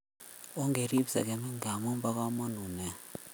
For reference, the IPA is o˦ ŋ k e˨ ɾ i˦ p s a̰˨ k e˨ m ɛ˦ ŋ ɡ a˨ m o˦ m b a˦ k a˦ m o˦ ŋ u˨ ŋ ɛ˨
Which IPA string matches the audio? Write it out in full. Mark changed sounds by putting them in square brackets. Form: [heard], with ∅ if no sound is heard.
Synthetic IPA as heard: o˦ ŋ [ɡ] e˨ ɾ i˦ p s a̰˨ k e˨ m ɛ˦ ŋ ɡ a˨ m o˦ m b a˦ k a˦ m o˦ [n] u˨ [n] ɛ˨